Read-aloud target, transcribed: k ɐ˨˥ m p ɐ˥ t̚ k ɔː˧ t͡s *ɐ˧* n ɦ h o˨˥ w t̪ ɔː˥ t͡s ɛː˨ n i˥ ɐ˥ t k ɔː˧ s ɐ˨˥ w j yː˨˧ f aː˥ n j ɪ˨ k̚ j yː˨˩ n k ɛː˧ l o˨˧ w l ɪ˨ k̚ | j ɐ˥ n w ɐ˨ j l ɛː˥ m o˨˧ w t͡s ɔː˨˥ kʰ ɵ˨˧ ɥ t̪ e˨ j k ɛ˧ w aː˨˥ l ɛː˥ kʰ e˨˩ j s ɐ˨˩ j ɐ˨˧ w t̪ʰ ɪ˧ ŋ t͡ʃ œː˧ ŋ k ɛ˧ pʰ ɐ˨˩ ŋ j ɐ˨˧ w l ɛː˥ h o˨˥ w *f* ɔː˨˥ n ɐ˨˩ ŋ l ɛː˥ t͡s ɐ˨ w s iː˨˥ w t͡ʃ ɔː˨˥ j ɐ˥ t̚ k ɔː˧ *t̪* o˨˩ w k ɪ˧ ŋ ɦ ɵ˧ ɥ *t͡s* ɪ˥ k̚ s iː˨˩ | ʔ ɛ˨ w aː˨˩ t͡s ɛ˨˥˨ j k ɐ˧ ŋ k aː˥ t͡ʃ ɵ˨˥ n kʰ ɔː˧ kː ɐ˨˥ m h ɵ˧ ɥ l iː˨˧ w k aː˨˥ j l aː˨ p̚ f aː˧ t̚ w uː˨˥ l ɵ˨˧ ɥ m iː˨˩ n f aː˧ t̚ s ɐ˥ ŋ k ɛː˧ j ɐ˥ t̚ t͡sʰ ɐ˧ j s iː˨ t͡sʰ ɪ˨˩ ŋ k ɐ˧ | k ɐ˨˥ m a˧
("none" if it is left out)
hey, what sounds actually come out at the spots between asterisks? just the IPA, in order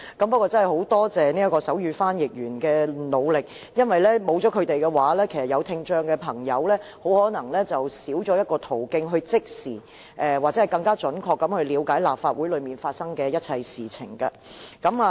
ɐ˥, h, t̪ʰ, t͡s

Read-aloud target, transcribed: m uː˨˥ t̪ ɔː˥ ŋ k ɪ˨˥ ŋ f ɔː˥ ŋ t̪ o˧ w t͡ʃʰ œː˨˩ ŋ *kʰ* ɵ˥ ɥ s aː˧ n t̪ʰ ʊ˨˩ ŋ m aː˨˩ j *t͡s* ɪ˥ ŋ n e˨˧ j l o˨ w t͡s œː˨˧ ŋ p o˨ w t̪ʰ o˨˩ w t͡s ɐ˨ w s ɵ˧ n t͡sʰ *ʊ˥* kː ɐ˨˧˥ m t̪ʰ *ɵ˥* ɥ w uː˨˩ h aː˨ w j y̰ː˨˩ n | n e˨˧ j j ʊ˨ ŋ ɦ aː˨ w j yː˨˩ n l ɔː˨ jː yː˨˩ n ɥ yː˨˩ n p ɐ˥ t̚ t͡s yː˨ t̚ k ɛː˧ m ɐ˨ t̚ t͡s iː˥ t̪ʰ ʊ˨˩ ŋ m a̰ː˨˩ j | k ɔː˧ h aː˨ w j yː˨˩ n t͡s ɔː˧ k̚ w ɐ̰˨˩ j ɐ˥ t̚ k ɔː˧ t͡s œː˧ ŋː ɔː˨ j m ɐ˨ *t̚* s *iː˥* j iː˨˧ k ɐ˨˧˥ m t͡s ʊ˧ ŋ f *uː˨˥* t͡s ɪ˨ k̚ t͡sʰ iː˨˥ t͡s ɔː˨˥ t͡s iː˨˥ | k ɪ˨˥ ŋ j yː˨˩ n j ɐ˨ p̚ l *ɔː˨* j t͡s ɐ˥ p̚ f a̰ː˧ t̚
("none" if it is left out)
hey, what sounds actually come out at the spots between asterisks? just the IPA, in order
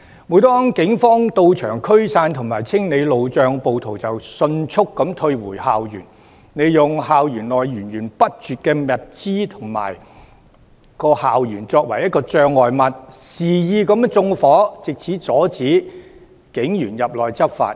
kʰ, t͡sʰ, ʊ˥, ɵ˧, t̚, iː˨˩, ɔː˨˥, ɔː˨

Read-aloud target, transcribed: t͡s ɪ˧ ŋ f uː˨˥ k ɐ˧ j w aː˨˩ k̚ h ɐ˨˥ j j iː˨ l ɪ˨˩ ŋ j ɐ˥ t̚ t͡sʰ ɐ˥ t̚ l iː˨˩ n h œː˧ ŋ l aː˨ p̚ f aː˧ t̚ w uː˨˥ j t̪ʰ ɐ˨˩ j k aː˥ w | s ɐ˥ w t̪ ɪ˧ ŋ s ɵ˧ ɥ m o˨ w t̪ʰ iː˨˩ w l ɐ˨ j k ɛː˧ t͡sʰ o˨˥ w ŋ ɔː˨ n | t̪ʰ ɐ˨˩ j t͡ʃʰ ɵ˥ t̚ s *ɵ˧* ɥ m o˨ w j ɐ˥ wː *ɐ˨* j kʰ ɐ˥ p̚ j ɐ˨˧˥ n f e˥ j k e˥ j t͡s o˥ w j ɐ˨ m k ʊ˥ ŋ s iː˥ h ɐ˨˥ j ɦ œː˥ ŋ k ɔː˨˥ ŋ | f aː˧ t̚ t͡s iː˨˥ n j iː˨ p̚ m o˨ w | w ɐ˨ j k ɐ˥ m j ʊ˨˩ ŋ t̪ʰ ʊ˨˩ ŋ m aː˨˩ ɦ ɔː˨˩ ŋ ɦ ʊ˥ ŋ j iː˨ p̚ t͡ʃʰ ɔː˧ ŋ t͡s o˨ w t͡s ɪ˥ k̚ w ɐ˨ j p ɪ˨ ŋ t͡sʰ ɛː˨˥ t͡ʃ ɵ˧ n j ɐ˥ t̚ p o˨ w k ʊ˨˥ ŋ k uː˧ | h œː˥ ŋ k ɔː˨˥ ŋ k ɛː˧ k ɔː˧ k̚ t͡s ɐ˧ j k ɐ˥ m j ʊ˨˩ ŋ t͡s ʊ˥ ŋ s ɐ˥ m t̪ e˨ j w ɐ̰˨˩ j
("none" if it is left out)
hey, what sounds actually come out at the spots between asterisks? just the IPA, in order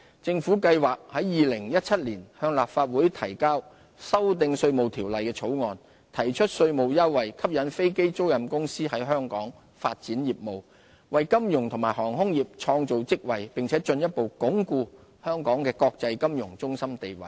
ɵ˧, ɐ˨

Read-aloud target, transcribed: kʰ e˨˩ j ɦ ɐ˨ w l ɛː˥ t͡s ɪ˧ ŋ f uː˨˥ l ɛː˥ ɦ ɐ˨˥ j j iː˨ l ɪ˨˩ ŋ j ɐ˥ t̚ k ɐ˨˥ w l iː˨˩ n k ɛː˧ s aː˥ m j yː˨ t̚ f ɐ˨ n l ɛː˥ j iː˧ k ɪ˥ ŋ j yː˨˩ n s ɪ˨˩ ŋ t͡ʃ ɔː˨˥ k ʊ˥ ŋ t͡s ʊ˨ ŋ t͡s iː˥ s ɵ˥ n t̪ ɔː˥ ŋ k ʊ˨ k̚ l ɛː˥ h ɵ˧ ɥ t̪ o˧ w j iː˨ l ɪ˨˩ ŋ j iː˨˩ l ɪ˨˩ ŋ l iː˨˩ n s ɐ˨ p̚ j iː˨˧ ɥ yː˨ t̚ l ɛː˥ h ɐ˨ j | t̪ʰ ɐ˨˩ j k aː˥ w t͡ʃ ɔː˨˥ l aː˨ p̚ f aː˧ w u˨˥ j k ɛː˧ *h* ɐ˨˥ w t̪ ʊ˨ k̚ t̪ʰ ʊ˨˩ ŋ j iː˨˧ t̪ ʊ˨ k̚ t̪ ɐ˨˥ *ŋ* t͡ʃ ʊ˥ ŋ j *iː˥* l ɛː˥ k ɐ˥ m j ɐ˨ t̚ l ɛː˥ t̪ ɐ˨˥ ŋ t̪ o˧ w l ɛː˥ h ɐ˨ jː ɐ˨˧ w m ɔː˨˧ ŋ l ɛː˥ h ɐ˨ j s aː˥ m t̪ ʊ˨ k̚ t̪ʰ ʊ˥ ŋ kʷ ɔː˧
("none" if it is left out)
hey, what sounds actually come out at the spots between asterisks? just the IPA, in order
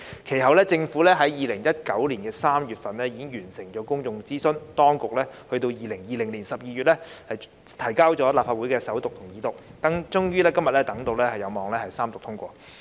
s, ŋ, yː˥

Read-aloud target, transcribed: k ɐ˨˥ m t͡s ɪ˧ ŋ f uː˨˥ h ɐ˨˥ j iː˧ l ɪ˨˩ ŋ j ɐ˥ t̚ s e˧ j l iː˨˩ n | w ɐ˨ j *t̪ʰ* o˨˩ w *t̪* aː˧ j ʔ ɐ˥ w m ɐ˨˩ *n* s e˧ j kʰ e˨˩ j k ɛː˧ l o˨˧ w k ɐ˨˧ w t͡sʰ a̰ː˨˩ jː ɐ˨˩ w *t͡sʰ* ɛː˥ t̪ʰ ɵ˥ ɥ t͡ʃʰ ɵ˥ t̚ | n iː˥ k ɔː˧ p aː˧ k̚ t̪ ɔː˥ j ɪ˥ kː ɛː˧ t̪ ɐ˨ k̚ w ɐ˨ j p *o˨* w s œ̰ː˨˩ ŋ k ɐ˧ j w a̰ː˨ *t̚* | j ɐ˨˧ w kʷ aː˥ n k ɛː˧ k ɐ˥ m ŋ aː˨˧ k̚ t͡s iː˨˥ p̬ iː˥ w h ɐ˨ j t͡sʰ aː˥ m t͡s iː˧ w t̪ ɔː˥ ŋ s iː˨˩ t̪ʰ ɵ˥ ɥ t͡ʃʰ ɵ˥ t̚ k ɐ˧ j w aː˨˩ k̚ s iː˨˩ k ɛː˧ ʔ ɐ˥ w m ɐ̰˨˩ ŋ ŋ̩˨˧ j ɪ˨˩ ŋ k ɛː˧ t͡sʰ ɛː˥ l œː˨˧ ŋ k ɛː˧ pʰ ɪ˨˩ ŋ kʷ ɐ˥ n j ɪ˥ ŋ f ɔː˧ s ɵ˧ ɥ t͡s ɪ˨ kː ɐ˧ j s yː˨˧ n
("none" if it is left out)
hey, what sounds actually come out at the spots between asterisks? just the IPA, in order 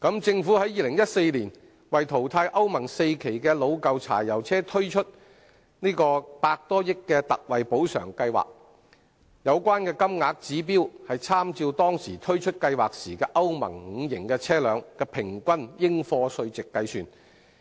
t̪ʰ, t̪ʰ, ŋ, t͡sʰ, o˨˥, k̚

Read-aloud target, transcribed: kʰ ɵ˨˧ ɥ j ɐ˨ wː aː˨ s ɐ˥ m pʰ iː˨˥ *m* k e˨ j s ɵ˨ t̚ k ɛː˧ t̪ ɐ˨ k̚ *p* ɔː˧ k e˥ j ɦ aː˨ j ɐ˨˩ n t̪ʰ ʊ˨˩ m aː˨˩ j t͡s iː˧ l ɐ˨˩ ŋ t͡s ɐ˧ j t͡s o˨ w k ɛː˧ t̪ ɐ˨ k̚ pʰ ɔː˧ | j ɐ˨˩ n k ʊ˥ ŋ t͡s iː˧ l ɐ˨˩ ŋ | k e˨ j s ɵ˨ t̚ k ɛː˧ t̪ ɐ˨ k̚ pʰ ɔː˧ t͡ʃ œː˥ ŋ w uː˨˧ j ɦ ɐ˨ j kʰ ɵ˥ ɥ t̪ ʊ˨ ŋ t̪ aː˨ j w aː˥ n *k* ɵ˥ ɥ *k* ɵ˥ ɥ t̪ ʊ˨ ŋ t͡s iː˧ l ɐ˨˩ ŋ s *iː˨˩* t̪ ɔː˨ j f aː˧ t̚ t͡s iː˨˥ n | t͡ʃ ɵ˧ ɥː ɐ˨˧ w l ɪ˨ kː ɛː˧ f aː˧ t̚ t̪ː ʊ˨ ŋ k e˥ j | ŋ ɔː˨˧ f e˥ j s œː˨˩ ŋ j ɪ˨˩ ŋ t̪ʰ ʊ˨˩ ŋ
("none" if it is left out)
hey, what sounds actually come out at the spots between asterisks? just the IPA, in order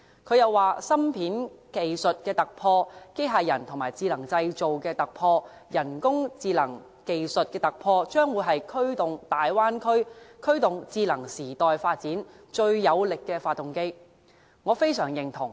n, pʰ, kʰ, kʰ, iː˨˩

